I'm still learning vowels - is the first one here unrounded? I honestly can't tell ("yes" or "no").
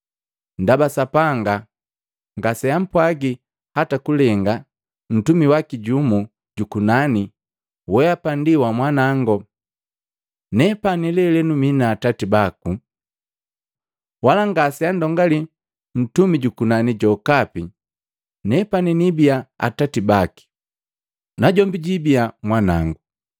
yes